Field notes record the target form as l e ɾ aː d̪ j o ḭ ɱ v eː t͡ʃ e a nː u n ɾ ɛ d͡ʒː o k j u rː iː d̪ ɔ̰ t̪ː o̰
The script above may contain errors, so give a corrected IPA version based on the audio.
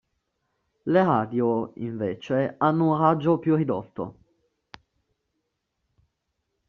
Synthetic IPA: l e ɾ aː d̪ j o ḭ ɱ v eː t͡ʃ e a nː u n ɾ a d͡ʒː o p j u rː i d̪ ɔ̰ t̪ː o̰